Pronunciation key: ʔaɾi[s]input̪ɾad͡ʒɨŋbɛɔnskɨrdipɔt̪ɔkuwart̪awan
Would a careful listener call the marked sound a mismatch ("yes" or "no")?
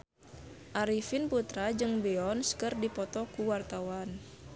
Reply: yes